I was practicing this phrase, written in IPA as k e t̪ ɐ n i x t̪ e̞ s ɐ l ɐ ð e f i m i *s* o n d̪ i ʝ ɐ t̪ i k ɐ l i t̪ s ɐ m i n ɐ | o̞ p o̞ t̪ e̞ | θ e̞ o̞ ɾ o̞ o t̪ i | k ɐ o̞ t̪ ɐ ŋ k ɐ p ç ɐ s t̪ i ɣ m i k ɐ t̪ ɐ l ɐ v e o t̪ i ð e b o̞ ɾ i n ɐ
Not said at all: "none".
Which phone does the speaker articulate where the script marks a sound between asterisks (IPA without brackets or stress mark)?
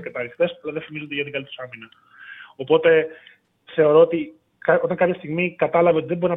z